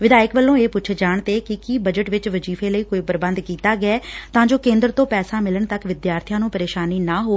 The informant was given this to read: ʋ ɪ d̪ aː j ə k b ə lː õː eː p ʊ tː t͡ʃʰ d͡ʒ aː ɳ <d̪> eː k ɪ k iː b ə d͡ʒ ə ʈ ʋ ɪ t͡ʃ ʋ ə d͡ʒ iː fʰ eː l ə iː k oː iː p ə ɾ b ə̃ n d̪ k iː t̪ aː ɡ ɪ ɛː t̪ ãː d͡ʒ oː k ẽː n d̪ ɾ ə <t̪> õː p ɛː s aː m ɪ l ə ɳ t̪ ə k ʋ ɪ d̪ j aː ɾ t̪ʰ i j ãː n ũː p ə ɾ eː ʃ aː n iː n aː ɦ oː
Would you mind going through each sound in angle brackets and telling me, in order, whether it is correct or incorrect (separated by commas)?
incorrect, correct